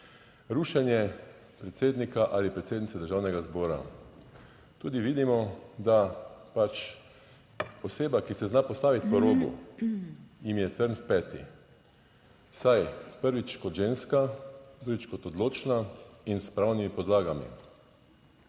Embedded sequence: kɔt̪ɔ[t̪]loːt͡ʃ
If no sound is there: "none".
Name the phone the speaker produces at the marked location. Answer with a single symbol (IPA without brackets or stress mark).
d̪